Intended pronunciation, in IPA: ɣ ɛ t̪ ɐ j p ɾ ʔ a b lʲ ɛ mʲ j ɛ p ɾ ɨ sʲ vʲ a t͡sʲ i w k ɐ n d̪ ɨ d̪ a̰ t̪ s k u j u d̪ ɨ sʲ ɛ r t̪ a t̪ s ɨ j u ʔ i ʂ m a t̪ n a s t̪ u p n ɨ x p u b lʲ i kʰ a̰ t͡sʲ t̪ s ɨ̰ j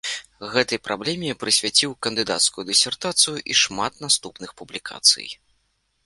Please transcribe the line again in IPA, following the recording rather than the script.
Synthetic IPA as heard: ɣ ɛ t̪ ɐ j p ɾ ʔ a b lʲ ɛ mʲ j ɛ p ɾ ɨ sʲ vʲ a t͡sʲ i w k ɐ n d̪ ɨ d̪ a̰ t̪ s k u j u d̪ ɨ sʲ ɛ r t̪ a t̪ s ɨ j u ʔ i ʂ m a t̪ n a s t̪ u p n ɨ x p u b lʲ i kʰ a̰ t̪ s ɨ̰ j